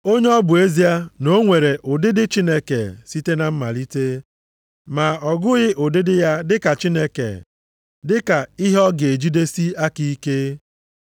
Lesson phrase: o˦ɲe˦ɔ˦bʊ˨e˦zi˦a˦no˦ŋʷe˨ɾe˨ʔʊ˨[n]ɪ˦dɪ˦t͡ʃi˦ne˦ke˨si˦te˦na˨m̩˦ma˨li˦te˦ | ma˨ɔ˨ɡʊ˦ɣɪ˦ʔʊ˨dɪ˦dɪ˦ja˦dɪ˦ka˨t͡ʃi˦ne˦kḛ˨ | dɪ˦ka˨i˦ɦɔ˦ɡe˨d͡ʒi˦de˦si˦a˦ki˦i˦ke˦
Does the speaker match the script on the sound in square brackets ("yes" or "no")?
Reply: no